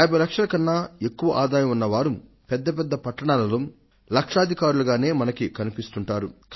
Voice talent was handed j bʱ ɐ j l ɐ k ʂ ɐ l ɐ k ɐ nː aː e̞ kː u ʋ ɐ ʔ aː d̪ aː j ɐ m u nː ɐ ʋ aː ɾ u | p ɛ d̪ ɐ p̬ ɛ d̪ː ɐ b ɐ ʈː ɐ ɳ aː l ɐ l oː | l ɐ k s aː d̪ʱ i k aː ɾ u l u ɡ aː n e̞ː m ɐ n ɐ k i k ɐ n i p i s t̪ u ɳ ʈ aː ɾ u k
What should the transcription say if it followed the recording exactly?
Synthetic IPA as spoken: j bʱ ɐ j l ɐ k ʂ ɐ l ɐ k ɐ nː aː e̞ kː u ʋ ɐ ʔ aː d̪ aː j ɐ m u nː ɐ ʋ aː ɾ u | p ɛ d̪ː ɐ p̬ ɛ d̪ː ɐ p ɐ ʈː ɐ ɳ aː l ɐ l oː | l ɐ k ʂ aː d̪ʱ i k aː ɾ u l u ɡ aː n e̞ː m ɐ n ɐ k i k ɐ n i p i s t̪ u ɳ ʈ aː ɾ u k